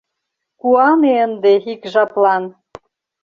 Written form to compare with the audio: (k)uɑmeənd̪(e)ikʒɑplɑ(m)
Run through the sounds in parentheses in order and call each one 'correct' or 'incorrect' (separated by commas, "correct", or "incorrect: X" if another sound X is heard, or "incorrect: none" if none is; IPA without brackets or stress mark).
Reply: correct, correct, incorrect: n